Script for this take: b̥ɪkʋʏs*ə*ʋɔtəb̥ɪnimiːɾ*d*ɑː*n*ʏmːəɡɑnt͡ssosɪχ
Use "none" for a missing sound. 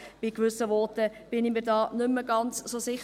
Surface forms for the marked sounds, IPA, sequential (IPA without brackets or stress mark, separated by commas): ə, d, n